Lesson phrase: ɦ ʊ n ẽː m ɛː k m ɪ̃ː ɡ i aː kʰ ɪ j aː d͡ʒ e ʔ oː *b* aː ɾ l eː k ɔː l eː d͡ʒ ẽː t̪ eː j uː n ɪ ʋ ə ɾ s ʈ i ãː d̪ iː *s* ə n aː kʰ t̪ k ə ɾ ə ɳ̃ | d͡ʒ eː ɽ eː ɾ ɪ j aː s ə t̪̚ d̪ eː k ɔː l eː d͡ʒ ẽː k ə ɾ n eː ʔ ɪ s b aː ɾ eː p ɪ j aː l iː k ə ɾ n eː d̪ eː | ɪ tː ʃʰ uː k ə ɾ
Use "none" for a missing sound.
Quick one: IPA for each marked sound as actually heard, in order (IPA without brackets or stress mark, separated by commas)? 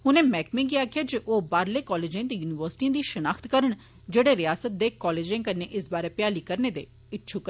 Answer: b, ʃ